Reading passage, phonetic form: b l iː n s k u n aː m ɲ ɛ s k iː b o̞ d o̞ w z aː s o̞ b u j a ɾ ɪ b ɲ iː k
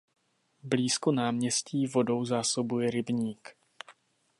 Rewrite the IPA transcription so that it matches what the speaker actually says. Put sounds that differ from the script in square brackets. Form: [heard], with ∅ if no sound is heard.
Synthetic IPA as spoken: b l iː [∅] s k [o] n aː m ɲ ɛ s [c] iː [v] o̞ d o̞ w z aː s o̞ b u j [ɛ] ɾ ɪ b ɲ iː k